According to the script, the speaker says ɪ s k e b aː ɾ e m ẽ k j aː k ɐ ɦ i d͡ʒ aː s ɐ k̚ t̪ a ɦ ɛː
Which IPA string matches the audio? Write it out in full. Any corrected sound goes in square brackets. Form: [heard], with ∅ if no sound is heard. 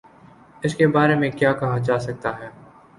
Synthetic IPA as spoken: ɪ s k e b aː ɾ e m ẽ k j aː k ɐ ɦ [a] d͡ʒ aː s ɐ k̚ t̪ a ɦ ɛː